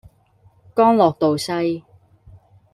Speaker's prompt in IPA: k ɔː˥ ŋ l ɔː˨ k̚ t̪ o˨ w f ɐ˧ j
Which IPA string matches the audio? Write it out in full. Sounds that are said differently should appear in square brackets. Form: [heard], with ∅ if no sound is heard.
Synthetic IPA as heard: k ɔː˥ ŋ l ɔː˨ k̚ t̪ o˨ w [s] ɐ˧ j